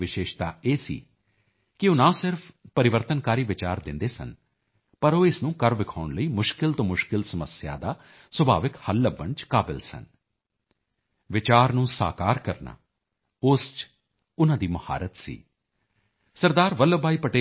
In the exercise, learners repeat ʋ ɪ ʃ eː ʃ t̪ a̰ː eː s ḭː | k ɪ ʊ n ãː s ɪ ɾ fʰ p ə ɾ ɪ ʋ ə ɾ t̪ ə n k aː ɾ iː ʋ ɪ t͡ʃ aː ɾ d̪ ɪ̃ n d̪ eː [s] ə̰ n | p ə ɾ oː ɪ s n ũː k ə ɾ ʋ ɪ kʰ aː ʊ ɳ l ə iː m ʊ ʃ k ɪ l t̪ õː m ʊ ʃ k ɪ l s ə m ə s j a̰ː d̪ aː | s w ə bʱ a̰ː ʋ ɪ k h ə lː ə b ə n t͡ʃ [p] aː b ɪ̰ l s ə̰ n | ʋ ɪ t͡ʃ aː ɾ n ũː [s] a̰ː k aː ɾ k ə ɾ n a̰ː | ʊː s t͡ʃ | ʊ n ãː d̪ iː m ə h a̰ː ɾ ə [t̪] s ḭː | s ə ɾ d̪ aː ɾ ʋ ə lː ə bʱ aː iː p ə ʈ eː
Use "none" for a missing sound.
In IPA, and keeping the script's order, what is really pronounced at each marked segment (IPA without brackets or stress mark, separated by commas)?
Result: s, k, s, t̪